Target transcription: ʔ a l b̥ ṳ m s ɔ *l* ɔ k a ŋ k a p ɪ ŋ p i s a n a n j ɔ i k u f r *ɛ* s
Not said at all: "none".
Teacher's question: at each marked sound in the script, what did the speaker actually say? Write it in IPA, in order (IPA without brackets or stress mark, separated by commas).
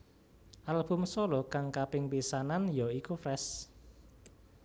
l, ɛ